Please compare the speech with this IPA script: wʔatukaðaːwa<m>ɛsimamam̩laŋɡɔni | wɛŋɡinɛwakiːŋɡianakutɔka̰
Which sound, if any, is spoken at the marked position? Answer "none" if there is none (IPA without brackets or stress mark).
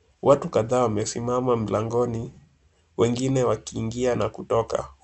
m